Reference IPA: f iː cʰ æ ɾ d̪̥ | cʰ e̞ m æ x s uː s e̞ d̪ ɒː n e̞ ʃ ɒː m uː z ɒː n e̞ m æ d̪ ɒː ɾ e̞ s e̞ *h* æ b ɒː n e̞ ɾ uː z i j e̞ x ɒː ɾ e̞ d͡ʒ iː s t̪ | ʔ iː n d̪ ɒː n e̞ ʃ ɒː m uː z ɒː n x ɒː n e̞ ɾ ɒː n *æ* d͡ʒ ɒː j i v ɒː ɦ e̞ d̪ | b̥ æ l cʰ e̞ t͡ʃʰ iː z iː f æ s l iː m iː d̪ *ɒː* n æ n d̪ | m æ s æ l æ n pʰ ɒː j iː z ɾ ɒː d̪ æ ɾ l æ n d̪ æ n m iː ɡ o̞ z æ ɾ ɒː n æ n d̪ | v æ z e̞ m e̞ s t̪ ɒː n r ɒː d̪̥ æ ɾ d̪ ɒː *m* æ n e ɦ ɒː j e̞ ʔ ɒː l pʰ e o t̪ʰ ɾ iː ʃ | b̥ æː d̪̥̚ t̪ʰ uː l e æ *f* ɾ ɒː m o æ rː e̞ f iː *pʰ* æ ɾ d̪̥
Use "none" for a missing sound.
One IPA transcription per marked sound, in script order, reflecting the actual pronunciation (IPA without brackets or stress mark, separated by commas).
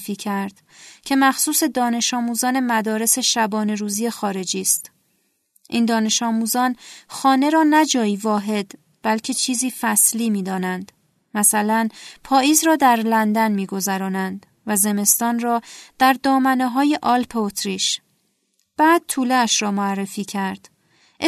ʃ, æ, ɒː, m, ʃ, cʰ